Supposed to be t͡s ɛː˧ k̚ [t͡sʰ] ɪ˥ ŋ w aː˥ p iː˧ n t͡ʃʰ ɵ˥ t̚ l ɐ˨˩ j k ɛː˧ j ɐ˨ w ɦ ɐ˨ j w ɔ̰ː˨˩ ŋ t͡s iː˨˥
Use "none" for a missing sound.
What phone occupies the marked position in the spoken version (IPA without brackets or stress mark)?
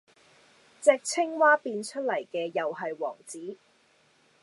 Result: t͡sʰ